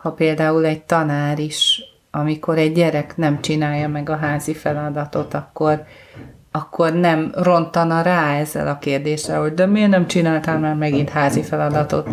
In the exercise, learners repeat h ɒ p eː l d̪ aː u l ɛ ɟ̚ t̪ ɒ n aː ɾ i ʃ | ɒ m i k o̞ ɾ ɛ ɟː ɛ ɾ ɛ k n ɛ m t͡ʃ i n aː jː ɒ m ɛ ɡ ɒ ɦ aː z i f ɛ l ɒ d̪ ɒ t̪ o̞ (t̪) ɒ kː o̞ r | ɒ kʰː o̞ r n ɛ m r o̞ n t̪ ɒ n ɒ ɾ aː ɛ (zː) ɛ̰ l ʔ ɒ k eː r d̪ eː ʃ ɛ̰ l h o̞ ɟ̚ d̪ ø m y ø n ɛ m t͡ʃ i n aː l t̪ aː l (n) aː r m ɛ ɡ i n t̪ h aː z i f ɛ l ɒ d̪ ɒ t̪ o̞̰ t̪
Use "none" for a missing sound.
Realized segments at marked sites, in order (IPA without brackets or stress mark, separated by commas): t̪, zː, m